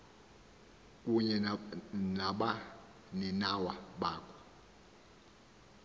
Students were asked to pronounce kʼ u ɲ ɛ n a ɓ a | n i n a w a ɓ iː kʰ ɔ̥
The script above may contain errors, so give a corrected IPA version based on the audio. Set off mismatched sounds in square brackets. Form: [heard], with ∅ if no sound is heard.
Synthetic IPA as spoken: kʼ u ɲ ɛ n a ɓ a | n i n a w a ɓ [aː] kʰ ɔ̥